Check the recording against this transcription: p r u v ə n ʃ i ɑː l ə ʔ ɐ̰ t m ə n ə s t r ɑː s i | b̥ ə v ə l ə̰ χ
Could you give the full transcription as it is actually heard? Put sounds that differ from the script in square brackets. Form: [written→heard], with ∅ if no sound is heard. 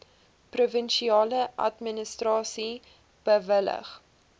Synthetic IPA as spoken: p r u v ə n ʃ i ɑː l ə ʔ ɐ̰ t m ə n ə s t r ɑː s i | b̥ ə v ə l ə̰ χ